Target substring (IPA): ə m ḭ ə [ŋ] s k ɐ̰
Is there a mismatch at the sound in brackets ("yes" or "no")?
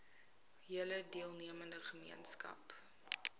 yes